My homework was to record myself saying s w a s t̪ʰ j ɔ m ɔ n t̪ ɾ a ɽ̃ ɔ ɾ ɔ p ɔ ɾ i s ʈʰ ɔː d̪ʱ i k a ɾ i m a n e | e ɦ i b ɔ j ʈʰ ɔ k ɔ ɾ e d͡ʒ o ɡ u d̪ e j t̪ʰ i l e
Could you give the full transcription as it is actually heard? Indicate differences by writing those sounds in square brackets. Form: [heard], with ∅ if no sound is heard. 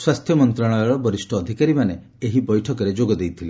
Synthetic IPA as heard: s w a s t̪ʰ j ɔ m ɔ n t̪ ɾ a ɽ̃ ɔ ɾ ɔ [b] ɔ ɾ i s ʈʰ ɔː d̪ʱ i k a ɾ i m a n e | e ɦ i b ɔ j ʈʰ ɔ k ɔ ɾ e d͡ʒ o ɡ [ɔ] d̪ e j t̪ʰ i l e